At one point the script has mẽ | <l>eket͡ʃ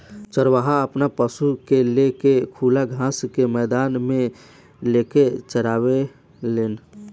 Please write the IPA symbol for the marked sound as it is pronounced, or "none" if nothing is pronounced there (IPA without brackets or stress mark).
l